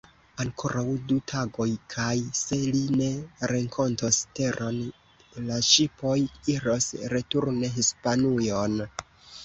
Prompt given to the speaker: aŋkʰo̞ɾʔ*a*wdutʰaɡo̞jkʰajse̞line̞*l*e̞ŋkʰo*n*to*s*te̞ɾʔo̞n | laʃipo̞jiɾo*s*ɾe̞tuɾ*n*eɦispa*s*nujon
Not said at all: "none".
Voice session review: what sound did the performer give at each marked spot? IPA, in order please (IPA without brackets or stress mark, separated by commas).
a, ɾ, n, s, s, n, none